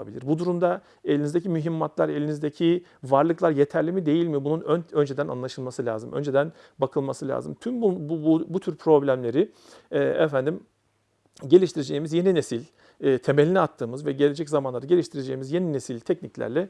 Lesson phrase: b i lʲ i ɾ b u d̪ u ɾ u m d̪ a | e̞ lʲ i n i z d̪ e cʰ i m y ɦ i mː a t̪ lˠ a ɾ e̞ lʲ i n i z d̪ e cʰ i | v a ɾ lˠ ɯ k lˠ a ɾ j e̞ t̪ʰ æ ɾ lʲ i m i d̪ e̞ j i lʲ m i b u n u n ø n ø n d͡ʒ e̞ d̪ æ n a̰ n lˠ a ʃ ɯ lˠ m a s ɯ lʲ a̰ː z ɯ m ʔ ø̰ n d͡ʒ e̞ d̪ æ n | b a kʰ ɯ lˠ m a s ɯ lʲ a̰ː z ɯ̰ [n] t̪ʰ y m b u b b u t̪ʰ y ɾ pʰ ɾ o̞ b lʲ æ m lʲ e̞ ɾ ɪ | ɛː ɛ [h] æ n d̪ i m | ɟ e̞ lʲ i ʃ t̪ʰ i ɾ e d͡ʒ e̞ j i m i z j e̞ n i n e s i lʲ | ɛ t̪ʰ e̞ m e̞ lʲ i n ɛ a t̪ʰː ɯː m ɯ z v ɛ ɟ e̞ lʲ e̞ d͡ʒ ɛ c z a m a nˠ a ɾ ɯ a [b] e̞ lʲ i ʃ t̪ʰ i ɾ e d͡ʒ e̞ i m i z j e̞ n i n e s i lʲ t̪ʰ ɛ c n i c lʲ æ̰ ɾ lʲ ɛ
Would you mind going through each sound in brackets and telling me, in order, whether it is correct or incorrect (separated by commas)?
incorrect, incorrect, incorrect